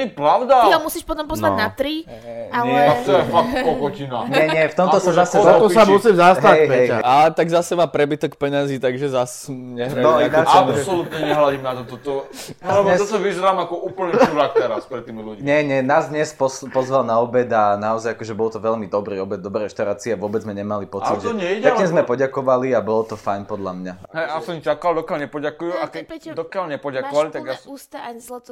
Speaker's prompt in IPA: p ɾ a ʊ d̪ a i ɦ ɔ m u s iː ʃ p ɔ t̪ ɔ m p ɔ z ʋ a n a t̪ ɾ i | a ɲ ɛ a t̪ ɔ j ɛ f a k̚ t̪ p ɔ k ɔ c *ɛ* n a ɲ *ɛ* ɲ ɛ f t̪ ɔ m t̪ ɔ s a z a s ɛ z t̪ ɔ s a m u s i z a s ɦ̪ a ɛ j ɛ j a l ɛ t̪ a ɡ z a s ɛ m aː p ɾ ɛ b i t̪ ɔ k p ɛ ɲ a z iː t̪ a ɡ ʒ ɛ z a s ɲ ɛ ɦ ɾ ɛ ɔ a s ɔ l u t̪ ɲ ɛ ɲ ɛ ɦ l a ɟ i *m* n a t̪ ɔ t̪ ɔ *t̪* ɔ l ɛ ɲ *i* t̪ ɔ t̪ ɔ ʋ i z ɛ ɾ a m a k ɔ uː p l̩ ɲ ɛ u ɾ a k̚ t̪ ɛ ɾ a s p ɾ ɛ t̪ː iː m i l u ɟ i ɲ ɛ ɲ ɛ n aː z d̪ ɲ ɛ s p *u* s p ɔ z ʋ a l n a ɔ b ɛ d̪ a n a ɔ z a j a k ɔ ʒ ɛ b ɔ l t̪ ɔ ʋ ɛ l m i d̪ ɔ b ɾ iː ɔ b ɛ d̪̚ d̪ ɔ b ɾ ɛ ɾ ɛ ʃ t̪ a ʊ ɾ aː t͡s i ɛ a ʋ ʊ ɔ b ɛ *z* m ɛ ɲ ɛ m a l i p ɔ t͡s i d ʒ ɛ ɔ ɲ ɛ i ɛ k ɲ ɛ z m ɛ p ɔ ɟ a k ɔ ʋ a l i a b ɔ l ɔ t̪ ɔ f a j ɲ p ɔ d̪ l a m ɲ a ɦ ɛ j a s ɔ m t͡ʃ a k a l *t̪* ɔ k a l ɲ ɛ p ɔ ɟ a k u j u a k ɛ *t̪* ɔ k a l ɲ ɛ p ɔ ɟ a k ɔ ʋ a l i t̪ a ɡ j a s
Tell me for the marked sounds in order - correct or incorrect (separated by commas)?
incorrect, correct, correct, correct, incorrect, incorrect, incorrect, incorrect, incorrect